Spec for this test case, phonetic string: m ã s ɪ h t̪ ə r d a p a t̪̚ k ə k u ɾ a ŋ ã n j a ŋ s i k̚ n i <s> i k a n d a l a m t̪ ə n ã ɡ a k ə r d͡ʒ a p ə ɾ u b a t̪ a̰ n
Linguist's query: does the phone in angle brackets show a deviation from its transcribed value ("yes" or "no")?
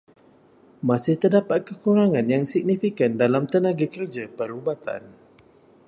yes